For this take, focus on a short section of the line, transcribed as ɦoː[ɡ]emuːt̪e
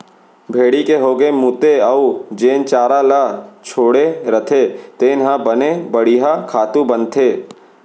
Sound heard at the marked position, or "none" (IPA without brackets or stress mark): ɡ